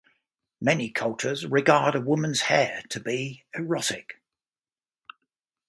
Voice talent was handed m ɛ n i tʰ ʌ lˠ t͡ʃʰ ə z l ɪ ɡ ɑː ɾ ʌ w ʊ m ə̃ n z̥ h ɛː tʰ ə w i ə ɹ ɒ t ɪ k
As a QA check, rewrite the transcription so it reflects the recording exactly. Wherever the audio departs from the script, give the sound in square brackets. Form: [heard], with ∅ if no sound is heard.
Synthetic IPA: m ɛ n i [kʰ] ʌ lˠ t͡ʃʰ ə z [ɹ] ɪ ɡ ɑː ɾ [ə] w ʊ m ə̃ n z̥ h ɛː tʰ ə [b] i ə ɹ ɒ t ɪ k

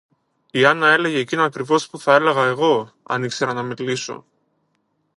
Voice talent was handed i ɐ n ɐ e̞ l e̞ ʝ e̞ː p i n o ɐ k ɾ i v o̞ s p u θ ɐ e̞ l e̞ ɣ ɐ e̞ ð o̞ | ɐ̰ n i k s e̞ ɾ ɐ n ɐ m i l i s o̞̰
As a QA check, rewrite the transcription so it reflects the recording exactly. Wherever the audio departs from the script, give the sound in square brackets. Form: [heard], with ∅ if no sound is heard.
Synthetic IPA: i ɐ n ɐ e̞ l e̞ ʝ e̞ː [c] i n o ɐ k ɾ i v o̞ s p u θ ɐ e̞ l e̞ ɣ ɐ e̞ [ɣ] o̞ | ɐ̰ n i k s e̞ ɾ ɐ n ɐ m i l i s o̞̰

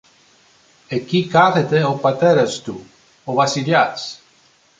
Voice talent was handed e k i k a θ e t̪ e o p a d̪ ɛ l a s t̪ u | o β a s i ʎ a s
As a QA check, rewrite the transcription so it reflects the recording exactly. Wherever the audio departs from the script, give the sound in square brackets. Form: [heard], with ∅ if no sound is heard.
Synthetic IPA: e k i k a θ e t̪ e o p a [t̪] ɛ [ɾ] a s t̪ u | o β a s i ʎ a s

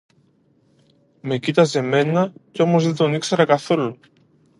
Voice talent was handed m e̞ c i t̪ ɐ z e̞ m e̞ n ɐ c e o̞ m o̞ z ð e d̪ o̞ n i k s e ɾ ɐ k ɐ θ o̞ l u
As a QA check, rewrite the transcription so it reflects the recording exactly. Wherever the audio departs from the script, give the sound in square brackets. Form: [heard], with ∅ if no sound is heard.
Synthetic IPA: m e̞ c i t̪ ɐ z e̞ m e̞ n ɐ c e o̞ m o̞ z ð e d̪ o̞ n i k s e ɾ ɐ k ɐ θ o̞ l u

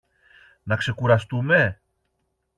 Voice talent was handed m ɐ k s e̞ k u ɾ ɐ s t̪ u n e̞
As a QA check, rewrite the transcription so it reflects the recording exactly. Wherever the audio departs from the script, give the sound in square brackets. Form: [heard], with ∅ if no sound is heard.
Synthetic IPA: [n] ɐ k s e̞ k u ɾ ɐ s t̪ u [m] e̞

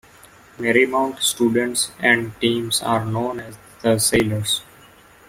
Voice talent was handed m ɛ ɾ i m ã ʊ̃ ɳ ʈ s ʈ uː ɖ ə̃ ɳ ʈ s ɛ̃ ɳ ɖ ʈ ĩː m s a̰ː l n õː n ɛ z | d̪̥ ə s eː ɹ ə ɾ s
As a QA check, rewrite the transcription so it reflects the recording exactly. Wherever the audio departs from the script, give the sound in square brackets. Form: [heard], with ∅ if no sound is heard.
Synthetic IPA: m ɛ ɾ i m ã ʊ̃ ɳ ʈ s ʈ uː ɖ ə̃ ɳ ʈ s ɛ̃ ɳ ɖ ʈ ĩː m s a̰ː [ɾ] n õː n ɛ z | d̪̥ ə s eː [l] ə ɾ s

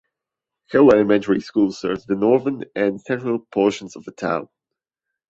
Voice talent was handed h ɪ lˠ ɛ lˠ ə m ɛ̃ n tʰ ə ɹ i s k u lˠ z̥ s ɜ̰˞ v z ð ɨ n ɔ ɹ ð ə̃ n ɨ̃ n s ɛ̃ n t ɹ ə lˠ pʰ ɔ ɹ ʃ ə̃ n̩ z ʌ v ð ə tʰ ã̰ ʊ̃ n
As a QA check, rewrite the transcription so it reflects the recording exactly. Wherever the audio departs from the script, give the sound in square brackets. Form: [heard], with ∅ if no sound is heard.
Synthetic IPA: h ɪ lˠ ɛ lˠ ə m ɛ̃ n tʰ ə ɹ i s k u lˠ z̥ s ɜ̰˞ v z ð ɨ n ɔ ɹ ð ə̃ n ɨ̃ n s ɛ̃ n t ɹ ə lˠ pʰ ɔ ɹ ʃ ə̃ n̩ z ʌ v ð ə tʰ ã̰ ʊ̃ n

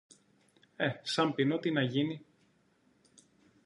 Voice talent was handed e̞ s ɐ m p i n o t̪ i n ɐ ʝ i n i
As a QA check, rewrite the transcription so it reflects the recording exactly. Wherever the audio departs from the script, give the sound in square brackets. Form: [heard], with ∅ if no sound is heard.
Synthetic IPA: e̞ s ɐ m p i n o t̪ i n ɐ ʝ i n i

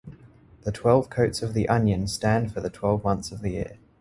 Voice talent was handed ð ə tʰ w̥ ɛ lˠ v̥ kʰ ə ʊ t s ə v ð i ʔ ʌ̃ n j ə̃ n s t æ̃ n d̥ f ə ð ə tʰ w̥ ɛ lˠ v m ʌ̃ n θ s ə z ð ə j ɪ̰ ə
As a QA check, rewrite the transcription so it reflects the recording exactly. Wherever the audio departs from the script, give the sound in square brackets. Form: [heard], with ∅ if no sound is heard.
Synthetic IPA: ð ə tʰ w̥ ɛ lˠ v̥ kʰ ə ʊ t s ə v ð i ʔ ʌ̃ n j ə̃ n s t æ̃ n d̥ f ə ð ə tʰ w̥ ɛ lˠ v m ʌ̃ n θ s ə [v] ð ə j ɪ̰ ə

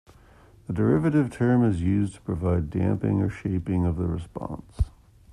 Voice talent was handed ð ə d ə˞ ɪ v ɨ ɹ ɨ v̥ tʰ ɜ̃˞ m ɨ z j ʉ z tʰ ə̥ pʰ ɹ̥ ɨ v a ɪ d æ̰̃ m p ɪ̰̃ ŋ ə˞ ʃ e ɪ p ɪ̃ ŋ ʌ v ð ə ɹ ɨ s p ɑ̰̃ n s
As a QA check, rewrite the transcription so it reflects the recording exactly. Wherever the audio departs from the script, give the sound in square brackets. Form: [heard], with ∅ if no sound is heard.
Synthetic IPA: ð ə d ə˞ ɪ v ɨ [ɾ] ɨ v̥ tʰ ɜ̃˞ m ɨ z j ʉ z tʰ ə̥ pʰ ɹ̥ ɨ v a ɪ d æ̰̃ m p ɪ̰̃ ŋ ə˞ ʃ e ɪ p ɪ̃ ŋ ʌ v ð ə ɹ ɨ s p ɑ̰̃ n s

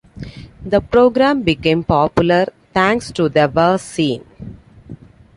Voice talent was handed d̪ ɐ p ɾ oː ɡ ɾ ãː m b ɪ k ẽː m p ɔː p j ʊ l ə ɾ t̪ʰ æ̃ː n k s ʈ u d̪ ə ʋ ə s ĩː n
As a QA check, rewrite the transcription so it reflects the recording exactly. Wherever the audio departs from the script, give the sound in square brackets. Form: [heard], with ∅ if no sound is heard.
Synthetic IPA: d̪ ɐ p ɾ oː ɡ ɾ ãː m b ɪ k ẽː m p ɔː p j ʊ l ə ɾ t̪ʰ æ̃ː [ŋ] k s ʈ u d̪ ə ʋ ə s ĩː n

